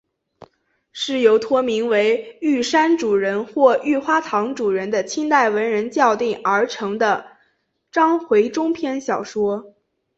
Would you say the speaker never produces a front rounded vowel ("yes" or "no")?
no